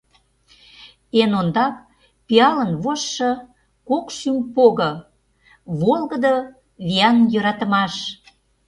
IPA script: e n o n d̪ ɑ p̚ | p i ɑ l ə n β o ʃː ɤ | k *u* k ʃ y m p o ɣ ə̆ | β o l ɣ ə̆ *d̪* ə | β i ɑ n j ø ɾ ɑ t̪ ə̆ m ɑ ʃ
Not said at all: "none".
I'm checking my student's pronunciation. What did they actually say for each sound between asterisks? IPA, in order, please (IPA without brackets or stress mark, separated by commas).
o, d̪